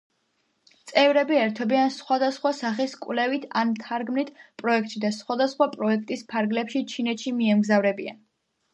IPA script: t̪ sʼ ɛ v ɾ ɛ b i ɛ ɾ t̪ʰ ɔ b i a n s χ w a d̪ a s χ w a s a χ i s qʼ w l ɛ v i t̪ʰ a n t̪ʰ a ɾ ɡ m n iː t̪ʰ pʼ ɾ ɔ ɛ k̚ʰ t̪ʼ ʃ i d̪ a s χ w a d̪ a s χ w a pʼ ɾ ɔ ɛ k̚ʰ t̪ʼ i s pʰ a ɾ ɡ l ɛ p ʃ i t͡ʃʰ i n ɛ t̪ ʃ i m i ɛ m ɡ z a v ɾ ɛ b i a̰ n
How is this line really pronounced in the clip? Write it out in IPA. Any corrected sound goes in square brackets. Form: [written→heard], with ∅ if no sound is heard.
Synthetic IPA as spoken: t̪ sʼ ɛ v ɾ ɛ b i ɛ ɾ t̪ʰ ɔ b i a n s χ w a d̪ a s χ w a s a χ i s [qʼ→kʼ] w l ɛ v i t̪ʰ a n t̪ʰ a ɾ ɡ m n [iː→i] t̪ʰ pʼ ɾ ɔ ɛ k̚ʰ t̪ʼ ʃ i d̪ a s χ w a d̪ a s χ w a pʼ ɾ ɔ ɛ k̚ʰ t̪ʼ i s pʰ a ɾ ɡ l ɛ p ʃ i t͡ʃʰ i n ɛ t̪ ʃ i m i ɛ m ɡ z a v ɾ ɛ b i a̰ n